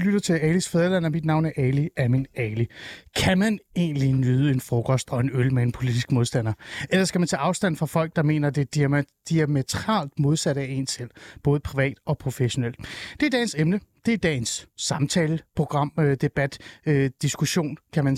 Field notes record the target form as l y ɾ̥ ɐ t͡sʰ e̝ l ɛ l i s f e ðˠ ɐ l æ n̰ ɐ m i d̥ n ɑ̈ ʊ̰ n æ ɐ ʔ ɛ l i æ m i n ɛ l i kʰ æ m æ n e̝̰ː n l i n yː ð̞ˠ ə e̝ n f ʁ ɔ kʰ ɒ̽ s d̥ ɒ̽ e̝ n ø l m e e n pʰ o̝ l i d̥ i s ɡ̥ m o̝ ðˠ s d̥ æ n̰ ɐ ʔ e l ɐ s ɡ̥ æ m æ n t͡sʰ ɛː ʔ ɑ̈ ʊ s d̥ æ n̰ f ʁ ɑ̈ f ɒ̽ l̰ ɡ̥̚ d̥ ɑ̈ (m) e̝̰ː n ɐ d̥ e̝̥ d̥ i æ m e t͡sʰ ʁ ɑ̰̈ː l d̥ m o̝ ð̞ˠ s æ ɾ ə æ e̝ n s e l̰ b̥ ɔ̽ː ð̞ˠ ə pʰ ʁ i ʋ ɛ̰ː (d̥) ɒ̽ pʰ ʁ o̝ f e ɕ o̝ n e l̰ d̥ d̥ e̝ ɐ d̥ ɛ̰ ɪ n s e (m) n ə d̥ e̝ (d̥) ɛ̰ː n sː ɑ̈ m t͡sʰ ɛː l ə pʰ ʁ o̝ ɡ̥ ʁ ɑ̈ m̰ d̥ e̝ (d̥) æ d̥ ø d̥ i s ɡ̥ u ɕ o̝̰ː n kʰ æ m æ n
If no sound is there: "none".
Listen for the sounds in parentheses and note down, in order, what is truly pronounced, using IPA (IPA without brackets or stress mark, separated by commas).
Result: m, d̥, m, d̥, b̥